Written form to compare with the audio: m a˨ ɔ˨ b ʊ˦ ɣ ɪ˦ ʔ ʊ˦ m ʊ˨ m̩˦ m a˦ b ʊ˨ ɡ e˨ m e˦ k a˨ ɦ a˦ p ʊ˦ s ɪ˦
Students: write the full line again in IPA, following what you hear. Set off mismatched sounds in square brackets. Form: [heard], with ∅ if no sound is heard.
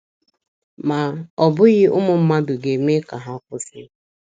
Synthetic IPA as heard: m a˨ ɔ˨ b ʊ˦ ɣ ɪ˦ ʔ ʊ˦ m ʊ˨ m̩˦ m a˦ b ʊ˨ ɡ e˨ m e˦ k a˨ ɦ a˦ [k] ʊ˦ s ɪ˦